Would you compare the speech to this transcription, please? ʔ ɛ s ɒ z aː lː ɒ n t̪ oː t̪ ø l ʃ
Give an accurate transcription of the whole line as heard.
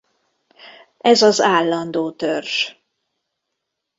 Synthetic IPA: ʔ ɛ z ɒ z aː lː ɒ n d̪ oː t̪ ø r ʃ